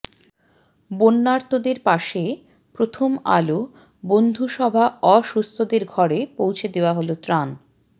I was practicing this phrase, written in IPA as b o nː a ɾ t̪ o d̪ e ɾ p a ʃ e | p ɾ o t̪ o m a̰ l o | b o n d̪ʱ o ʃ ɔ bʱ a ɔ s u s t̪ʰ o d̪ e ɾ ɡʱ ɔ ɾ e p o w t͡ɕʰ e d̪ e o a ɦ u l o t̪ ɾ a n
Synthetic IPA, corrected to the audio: b o nː a ɾ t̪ o d̪ e ɾ p a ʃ e | p ɾ o t̪ʰ o m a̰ l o | b o n d̪ʱ u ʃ ɔ bʱ a ɔ ʃ u s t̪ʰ o d̪ e ɾ ɡʱ ɔ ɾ e p o w t͡ɕʰ e d̪ e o a ɦ o l o t̪ ɾ a n

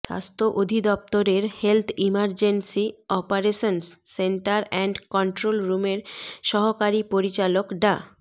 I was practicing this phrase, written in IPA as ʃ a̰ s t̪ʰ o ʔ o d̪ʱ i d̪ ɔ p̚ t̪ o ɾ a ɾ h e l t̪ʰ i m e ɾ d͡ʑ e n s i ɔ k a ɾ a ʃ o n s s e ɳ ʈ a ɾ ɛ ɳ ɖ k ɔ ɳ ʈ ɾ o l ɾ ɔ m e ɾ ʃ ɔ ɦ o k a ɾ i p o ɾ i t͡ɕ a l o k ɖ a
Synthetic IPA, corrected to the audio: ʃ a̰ s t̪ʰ o ʔ o d̪ʱ i d̪ ɔ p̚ t̪ o ɾ e ɾ h e l t̪ʰ i m a ɾ d͡ʑ e n s i ɔ p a ɾ e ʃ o n s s e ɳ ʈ a ɾ ɛ ɳ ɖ k ɔ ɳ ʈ ɾ o l ɾ u m e ɾ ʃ ɔ ɦ o k a ɾ i p o ɾ i t͡ɕ a l o k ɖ a

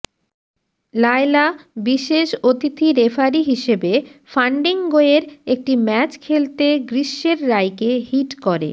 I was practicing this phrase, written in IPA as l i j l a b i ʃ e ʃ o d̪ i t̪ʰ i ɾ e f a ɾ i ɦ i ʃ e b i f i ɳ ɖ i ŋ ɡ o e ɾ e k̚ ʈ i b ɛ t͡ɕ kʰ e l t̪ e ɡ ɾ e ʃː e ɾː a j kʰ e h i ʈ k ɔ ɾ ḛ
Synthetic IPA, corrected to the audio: l a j l a b i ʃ e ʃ o t̪ i t̪ʰ i ɾ e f a ɾ i ɦ i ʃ e b e f a ɳ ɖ i ŋ ɡ o e ɾ e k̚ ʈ i m ɛ t͡ɕ kʰ e l t̪ e ɡ ɾ i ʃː e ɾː a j k e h i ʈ k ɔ ɾ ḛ

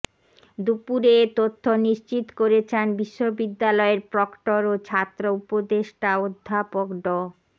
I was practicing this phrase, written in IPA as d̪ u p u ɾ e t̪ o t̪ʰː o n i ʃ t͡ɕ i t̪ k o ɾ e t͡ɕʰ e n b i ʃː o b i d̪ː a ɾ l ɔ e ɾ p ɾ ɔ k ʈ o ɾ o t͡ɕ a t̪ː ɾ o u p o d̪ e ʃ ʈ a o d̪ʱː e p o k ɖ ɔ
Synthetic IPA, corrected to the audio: d̪ u p u ɾ e t̪ o t̪ʰː o n i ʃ t͡ɕ i t̪ k o ɾ e t͡ɕʰ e n b i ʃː o b i d̪ː a l ɔ e ɾ p ɾ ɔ k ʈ o ɾ o t͡ɕʰ a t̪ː ɾ o u p o d̪ e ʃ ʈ a o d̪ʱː a p o k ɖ ɔ

